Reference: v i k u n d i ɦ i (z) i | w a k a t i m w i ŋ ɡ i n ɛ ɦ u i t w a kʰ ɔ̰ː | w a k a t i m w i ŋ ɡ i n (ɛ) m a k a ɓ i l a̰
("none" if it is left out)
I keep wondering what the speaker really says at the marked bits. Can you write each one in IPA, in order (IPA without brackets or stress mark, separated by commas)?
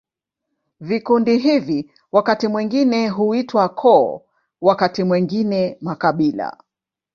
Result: v, ɛ